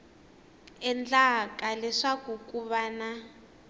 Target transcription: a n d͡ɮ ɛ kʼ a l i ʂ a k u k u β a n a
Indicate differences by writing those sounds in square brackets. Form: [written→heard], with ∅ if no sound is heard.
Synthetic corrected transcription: [a→ɛ] n d͡ɮ [ɛ→a] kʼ a l [i→ɛ] ʂ a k u k u β a n a